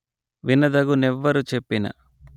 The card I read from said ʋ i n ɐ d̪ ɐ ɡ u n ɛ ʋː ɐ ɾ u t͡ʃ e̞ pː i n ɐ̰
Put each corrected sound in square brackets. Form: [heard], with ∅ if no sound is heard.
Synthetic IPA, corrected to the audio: ʋ i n ɐ d̪ ɐ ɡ u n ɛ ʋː ɐ ɾ u t͡ʃ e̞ pː i n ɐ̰